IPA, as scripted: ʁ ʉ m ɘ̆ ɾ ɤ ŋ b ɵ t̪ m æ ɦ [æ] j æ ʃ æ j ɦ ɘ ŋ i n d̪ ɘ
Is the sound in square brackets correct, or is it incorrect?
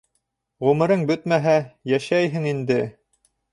correct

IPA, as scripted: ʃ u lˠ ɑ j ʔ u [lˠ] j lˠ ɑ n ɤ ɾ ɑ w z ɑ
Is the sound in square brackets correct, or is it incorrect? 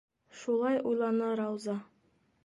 incorrect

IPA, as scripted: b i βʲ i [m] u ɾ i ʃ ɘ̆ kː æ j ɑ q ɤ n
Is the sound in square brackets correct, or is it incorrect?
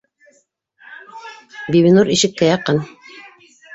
incorrect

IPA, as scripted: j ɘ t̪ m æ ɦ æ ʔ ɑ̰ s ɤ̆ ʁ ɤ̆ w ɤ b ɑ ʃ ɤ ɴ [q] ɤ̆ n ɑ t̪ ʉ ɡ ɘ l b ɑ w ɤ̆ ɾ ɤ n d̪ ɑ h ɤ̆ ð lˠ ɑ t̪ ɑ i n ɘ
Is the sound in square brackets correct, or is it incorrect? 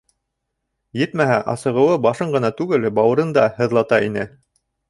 incorrect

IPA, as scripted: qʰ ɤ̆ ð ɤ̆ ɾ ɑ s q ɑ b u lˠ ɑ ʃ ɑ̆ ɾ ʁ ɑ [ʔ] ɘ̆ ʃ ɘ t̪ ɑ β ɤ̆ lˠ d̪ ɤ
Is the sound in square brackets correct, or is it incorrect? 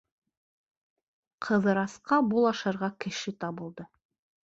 incorrect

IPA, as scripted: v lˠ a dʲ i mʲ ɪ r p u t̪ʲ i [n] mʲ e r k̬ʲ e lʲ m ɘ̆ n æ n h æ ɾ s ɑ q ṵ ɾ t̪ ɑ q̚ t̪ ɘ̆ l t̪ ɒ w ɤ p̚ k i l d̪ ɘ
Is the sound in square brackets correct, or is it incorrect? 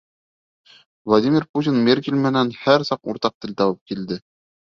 correct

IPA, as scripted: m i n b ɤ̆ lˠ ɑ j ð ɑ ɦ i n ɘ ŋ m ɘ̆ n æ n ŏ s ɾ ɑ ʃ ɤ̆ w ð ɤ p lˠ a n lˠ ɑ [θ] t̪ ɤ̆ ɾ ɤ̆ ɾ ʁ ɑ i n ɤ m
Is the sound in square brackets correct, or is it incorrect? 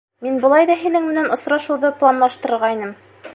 incorrect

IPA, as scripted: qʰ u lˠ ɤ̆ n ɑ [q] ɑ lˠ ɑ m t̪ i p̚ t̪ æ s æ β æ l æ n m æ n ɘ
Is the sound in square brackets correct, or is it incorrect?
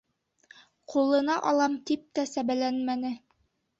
incorrect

